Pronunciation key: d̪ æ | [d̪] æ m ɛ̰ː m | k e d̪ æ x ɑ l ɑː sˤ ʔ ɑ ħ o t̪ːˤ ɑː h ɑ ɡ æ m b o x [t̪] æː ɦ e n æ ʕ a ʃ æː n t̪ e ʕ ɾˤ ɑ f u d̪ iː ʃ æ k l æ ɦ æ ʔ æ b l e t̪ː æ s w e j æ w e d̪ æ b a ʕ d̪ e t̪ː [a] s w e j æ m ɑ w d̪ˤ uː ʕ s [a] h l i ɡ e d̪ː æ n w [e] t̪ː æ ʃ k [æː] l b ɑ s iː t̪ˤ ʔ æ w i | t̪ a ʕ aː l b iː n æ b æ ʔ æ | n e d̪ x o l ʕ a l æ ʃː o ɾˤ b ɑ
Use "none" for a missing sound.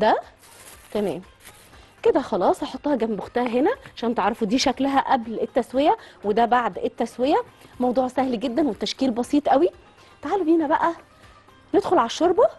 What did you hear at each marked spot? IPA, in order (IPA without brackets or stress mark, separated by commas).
t̪, t̪, æ, æ, e, iː